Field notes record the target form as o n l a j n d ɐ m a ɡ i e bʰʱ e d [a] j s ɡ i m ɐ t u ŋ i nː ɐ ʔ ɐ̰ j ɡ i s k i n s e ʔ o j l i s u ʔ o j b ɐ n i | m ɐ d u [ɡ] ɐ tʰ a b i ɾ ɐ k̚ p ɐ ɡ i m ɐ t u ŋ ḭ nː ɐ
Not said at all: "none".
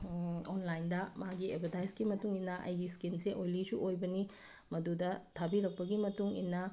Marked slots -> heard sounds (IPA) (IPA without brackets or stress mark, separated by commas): a, d